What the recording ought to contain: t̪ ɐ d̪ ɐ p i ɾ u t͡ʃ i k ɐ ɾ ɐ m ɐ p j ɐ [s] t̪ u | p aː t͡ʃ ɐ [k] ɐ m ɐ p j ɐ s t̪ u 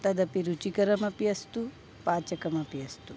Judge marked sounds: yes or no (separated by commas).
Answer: yes, yes